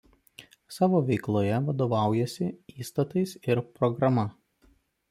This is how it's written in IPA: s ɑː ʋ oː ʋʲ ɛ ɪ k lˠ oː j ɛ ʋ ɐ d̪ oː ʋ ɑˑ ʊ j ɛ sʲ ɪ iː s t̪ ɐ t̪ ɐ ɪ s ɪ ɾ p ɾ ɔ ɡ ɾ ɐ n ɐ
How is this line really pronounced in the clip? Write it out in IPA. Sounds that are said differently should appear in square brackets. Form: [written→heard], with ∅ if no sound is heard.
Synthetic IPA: s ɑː ʋ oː ʋʲ ɛ ɪ k lˠ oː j ɛ ʋ ɐ d̪ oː ʋ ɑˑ ʊ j ɛ sʲ ɪ iː s t̪ ɐ t̪ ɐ ɪ s ɪ ɾ p ɾ ɔ ɡ ɾ ɐ [n→m] ɐ